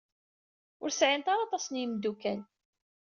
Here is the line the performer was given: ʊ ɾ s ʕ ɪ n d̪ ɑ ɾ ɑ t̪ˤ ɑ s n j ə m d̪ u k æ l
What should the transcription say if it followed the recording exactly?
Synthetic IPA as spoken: ʊ ɾ s ʕ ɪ n t̪ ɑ ɾ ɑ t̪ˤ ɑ s n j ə m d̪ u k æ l